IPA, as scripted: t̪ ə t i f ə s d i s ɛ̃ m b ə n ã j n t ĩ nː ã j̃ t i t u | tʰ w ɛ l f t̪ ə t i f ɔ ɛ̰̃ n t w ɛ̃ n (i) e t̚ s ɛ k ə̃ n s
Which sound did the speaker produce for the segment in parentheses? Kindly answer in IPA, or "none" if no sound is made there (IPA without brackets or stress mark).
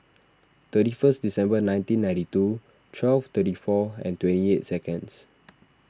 i